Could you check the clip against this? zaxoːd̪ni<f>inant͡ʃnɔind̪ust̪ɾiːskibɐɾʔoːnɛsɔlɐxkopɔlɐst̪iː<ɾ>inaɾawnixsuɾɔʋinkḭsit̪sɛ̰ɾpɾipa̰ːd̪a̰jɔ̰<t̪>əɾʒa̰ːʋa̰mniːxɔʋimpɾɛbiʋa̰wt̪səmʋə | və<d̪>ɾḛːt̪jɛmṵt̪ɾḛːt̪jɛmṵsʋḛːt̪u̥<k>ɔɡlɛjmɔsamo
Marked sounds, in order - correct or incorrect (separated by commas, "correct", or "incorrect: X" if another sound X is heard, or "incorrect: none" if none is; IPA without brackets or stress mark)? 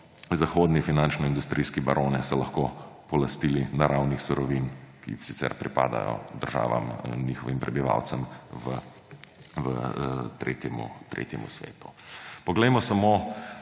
correct, incorrect: l, incorrect: d̪, incorrect: t̪, incorrect: p